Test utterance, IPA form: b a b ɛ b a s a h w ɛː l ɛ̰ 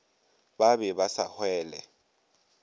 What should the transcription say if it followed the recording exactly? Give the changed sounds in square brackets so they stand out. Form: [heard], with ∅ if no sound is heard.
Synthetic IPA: b a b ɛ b a s a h w ɛː l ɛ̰